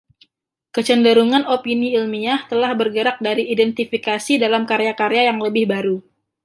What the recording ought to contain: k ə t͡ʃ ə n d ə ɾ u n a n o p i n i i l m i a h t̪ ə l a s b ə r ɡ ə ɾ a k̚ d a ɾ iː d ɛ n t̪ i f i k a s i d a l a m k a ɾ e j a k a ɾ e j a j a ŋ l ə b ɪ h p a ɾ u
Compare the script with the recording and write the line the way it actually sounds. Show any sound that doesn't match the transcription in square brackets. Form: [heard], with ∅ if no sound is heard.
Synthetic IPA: k ə t͡ʃ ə n d ə ɾ u [ŋ] a n o p i n i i l m i a h t̪ ə l a [h] b ə r ɡ ə ɾ a k̚ d a ɾ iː d ɛ n t̪ i f i k a s i d a l a m k a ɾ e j a k a ɾ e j a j a ŋ l ə b ɪ h [b] a ɾ u